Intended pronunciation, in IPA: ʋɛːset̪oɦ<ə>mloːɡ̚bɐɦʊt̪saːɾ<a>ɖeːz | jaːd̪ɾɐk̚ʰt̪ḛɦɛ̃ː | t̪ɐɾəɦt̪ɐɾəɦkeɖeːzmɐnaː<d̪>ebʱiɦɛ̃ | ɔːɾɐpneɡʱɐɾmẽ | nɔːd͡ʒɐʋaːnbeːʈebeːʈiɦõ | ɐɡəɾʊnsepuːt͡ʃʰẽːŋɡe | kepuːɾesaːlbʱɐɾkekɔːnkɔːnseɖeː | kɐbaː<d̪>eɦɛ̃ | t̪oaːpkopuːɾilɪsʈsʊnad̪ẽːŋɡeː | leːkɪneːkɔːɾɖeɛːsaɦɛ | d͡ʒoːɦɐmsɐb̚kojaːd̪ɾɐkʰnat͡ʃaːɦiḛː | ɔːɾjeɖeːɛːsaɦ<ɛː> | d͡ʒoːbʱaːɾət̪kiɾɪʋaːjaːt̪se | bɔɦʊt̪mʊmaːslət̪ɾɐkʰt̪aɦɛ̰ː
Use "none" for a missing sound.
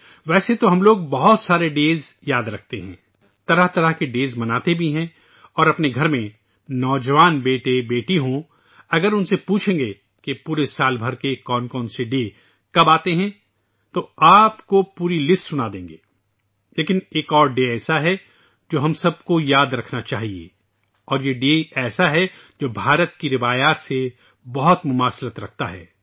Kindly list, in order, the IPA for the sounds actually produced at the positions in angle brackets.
ɐ, e, t̪, t̪, ɛ

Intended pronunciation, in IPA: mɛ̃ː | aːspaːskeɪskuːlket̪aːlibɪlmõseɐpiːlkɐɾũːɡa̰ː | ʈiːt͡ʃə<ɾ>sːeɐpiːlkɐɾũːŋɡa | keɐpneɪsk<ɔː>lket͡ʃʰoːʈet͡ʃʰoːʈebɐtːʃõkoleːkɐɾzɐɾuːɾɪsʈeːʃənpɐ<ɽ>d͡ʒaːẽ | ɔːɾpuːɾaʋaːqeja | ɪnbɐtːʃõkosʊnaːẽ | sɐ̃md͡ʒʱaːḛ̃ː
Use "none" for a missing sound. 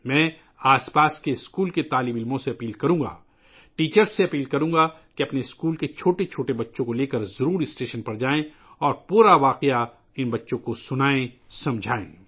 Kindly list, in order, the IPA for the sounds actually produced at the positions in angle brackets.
ɾ, uː, ɾ

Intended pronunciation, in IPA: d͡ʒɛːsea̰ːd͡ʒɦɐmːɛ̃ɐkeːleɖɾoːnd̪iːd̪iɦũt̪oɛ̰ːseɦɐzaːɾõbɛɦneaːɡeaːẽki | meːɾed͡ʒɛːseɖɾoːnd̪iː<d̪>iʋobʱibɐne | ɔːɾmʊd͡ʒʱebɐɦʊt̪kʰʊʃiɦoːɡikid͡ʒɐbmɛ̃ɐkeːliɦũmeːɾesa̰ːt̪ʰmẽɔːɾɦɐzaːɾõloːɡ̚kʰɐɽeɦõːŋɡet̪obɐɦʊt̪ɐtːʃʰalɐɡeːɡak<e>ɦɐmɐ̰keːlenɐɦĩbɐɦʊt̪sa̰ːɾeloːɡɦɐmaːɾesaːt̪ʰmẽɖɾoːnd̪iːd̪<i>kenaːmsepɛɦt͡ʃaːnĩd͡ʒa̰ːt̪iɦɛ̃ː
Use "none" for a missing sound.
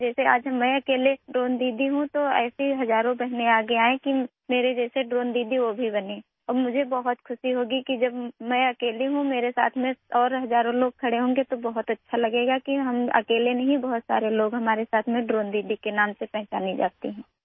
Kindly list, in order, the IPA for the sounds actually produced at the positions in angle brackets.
d̪, i, i

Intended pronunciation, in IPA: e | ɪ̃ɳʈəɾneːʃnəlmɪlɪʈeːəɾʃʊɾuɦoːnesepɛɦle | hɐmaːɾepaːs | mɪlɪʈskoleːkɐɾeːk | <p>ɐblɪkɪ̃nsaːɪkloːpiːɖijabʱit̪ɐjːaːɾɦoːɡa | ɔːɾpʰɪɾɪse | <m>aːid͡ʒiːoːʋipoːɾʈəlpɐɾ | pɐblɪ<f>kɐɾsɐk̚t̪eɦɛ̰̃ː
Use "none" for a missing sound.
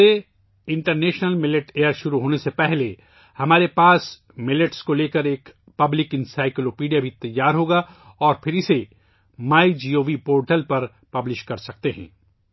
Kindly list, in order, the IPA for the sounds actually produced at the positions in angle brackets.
p, m, ʃ

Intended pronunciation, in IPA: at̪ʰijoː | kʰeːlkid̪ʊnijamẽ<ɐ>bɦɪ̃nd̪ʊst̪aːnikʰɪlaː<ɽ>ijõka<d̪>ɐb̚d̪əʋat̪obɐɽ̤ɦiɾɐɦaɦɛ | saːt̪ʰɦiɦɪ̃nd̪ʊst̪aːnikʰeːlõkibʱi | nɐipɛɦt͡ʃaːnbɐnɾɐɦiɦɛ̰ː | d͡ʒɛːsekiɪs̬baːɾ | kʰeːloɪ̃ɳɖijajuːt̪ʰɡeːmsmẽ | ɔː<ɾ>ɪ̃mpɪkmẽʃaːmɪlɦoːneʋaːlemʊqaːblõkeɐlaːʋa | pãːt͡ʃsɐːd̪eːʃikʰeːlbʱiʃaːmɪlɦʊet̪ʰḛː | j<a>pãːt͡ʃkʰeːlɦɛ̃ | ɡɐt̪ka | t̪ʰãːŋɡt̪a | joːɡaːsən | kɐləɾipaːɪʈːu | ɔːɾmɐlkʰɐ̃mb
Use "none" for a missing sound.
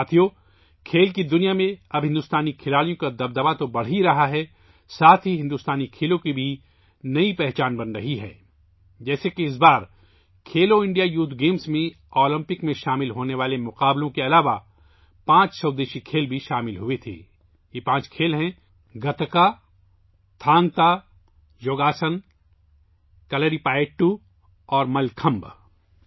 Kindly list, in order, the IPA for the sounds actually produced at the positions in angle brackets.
ɐ, l, d̪, l, e

